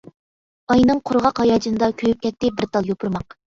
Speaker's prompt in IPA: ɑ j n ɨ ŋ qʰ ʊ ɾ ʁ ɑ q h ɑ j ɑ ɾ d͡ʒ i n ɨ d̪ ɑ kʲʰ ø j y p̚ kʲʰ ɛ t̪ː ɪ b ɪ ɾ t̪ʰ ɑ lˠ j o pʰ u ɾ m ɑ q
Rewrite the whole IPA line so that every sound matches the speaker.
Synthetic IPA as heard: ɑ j n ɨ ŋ qʰ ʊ ɾ ʁ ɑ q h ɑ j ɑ d͡ʒ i n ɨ d̪ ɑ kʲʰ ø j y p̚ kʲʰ ɛ t̪ː ɪ b ɪ ɾ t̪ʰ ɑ lˠ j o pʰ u ɾ m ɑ q